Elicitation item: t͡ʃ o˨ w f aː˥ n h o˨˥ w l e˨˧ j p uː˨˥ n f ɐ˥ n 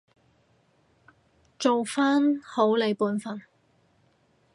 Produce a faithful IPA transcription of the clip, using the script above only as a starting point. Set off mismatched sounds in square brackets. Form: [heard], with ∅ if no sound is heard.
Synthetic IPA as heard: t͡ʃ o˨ w f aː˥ n h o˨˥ w l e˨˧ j p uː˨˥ n f [ɐ˨˩] n